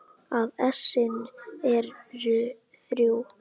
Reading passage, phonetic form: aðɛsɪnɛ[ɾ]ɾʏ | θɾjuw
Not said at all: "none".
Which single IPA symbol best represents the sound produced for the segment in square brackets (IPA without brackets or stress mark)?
ɾ